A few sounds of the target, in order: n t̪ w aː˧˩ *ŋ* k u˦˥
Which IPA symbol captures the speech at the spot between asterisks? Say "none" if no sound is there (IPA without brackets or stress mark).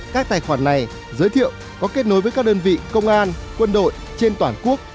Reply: n